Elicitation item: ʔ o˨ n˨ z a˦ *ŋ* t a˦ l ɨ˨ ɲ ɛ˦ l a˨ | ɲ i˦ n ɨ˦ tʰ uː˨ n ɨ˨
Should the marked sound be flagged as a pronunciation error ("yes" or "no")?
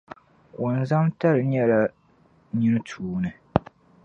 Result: yes